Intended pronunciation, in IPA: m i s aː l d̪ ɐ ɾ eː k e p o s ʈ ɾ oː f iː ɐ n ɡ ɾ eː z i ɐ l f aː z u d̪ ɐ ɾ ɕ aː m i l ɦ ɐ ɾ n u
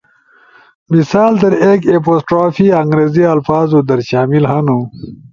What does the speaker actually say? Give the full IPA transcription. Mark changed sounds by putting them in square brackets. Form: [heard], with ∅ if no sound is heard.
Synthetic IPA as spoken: m i s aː l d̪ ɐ ɾ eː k e p o s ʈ ɾ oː f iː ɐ [ŋ] ɡ ɾ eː z i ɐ l f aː z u d̪ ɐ ɾ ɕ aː m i l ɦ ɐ [∅] n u

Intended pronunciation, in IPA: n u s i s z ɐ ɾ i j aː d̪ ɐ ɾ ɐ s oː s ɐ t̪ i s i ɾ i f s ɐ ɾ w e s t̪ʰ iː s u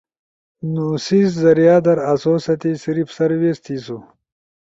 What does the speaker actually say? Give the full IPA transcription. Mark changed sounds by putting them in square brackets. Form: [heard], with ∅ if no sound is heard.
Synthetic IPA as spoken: n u s i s z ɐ ɾ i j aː d̪ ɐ ɾ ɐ s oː s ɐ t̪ i s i ɾ i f s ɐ ɾ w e s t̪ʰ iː s u

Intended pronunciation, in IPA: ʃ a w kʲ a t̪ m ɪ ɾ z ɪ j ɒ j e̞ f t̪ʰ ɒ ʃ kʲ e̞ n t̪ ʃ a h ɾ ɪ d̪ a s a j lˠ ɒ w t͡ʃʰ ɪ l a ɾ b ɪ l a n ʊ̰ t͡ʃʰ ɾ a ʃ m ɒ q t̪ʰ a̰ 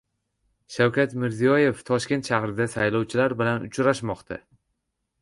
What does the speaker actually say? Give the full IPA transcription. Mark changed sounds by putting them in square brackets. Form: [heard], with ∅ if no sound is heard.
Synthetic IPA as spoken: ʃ a w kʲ a t̪ m ɪ ɾ z [i] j ɒ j e̞ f t̪ʰ ɒ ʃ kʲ e̞ n t̪ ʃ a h ɾ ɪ d̪ a s a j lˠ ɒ w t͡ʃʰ ɪ l a ɾ b ɪ l a n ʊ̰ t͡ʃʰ ɾ a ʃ m ɒ q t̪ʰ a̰

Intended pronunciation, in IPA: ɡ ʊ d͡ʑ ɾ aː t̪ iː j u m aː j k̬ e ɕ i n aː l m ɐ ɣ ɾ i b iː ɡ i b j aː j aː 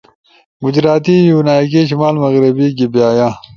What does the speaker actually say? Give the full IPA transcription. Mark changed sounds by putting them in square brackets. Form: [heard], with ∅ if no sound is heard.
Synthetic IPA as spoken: ɡ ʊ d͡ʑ ɾ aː t̪ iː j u [n] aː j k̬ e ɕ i [m] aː l m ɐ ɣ ɾ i b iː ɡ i b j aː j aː

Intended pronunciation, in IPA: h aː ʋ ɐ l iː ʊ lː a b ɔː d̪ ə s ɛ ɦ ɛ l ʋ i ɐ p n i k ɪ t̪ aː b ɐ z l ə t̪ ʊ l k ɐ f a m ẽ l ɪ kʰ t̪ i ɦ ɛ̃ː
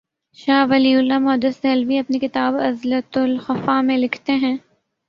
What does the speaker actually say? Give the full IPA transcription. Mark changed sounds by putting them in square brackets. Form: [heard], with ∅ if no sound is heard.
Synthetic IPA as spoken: [ʃ] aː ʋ ɐ l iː ʊ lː a [m] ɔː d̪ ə s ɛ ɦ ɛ l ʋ i ɐ p n i k ɪ t̪ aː b ɐ z l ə t̪ ʊ l [x] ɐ f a m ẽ l ɪ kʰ t̪ [e] ɦ ɛ̃ː

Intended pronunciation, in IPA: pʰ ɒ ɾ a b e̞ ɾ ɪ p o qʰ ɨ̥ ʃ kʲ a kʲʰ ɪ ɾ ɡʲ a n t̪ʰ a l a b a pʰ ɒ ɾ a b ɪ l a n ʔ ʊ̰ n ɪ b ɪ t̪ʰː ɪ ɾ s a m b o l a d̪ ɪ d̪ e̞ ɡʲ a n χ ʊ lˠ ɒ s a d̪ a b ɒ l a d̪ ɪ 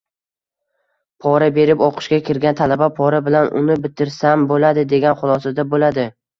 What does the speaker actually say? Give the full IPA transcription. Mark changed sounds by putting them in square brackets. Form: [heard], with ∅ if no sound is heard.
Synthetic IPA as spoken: pʰ ɒ ɾ a b e̞ ɾ ɪ p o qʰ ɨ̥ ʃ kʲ a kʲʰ ɪ ɾ ɡʲ a n t̪ʰ a l a b a pʰ ɒ ɾ a b ɪ l a n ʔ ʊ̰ n ɪ b ɪ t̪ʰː ɪ ɾ s a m b o l a d̪ ɪ d̪ e̞ ɡʲ a n χ ʊ lˠ ɒ s a d̪ a b [o] l a d̪ ɪ

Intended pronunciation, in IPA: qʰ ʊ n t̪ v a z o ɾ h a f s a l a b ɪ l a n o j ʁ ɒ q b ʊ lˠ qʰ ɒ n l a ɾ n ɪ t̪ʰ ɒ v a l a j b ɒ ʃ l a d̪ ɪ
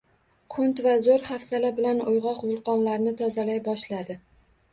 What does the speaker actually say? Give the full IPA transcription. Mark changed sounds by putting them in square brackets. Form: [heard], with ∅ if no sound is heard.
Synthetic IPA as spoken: qʰ ʊ n t̪ v a z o ɾ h a f s a l a b ɪ l a n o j ʁ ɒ q [v] ʊ lˠ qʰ ɒ n l a ɾ n ɪ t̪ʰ ɒ [z] a l a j b ɒ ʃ l a d̪ ɪ

